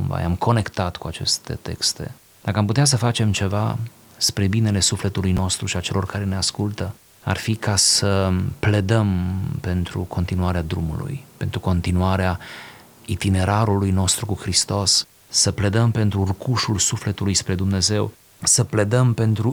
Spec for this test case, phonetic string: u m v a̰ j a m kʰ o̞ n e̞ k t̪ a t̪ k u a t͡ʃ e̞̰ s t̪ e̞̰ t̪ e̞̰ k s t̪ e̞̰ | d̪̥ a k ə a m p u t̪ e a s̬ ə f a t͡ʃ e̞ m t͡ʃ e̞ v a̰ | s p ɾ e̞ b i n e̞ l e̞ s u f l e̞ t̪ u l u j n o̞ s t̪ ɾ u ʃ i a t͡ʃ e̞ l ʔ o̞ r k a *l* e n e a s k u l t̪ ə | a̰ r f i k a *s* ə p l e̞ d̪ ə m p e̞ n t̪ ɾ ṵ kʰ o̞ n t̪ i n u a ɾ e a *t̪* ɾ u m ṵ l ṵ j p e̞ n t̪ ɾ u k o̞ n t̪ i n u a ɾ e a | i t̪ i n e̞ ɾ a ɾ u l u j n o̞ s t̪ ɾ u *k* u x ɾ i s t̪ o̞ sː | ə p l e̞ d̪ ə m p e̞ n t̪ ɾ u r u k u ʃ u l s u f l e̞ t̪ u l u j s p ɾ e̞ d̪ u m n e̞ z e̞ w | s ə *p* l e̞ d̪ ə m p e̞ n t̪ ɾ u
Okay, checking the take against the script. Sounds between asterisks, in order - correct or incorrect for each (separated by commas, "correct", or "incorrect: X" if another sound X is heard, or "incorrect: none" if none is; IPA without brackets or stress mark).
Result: incorrect: ɾ, correct, incorrect: d̪, correct, correct